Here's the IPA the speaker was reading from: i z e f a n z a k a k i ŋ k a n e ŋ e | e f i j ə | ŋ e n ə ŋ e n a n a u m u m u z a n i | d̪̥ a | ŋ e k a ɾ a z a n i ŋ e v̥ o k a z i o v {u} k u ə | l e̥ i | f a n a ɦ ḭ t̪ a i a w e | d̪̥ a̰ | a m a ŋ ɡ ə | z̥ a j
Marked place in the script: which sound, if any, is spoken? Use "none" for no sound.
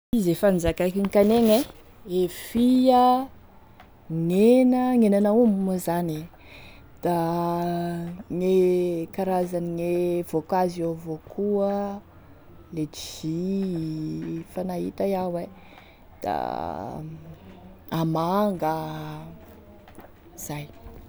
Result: o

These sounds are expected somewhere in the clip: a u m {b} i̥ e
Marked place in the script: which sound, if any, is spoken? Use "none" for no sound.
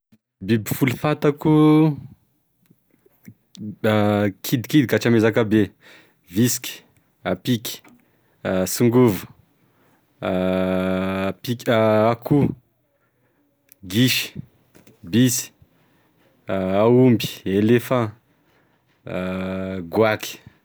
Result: b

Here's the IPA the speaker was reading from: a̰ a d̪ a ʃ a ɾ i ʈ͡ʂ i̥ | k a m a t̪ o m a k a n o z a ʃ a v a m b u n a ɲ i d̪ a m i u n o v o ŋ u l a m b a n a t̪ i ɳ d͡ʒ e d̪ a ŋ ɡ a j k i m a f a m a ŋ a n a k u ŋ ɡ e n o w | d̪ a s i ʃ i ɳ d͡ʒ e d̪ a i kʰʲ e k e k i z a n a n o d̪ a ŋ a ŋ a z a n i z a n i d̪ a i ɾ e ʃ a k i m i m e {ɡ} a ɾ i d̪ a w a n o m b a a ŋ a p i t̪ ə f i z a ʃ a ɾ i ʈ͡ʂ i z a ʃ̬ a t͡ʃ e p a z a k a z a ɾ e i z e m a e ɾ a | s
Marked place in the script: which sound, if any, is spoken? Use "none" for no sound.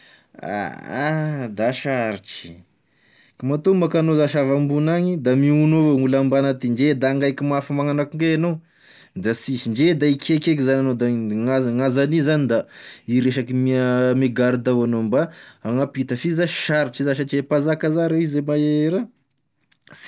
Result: ɡ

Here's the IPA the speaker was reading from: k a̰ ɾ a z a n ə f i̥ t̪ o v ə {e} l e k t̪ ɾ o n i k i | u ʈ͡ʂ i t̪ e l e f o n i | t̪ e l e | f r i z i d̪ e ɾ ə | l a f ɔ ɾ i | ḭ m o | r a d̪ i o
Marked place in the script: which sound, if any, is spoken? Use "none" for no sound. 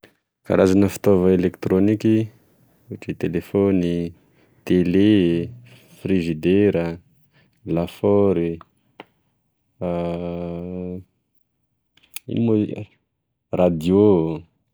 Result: e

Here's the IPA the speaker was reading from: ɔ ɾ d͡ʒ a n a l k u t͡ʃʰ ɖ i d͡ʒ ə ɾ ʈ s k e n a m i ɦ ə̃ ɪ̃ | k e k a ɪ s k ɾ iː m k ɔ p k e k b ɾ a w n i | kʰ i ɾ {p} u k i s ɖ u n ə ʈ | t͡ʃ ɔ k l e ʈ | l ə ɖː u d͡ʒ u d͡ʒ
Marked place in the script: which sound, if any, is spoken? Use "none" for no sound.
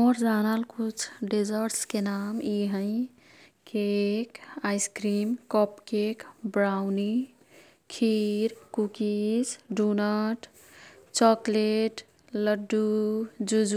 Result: k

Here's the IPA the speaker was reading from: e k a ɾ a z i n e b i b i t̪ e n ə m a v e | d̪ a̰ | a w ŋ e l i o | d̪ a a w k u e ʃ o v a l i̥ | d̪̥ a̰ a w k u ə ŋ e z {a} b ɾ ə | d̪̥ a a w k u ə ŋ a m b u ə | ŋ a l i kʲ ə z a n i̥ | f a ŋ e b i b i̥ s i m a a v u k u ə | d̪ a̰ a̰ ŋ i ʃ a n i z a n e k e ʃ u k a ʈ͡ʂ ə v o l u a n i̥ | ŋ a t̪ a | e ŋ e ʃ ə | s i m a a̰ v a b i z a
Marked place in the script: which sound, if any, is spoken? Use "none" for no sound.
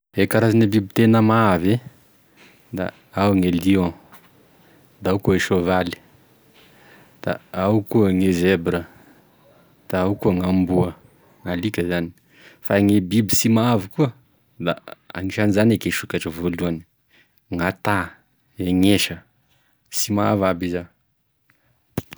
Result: e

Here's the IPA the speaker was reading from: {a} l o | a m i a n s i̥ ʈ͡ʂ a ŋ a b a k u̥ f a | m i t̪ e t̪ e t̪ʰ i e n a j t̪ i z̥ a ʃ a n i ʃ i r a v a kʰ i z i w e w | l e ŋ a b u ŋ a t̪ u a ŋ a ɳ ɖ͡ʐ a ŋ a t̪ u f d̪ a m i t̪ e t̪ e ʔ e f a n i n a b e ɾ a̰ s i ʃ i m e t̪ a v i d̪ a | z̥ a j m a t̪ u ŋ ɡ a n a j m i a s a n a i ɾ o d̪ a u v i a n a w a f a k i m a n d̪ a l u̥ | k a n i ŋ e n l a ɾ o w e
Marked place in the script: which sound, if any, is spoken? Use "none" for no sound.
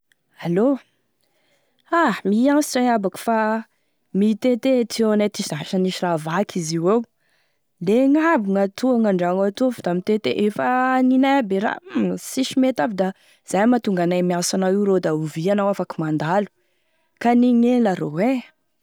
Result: a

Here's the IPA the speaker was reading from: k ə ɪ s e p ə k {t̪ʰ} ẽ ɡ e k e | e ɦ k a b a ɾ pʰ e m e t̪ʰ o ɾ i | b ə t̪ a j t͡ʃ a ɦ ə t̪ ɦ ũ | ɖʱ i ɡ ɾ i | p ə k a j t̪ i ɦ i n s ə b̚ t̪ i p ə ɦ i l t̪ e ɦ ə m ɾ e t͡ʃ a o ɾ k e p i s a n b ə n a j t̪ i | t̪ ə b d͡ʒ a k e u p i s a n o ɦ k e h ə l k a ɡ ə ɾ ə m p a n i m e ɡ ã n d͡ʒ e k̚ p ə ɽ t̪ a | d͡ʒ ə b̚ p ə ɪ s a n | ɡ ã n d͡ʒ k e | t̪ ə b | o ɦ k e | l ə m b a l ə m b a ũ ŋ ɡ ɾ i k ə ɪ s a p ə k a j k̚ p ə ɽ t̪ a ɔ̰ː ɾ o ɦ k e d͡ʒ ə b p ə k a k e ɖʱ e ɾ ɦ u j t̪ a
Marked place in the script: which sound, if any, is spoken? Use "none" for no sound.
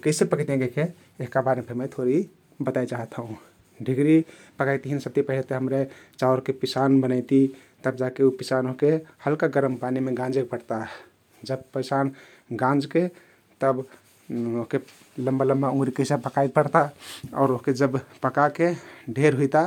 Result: t̪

